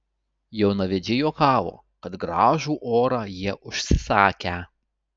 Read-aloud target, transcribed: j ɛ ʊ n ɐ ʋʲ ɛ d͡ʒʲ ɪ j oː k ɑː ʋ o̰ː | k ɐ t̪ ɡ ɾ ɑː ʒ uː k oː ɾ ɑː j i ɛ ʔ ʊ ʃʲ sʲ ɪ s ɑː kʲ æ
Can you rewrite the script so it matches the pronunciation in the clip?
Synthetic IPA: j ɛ ʊ n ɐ ʋʲ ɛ d͡ʒʲ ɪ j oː k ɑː ʋ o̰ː | k ɐ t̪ ɡ ɾ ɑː ʒ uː ʔ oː ɾ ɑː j i ɛ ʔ ʊ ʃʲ sʲ ɪ s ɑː kʲ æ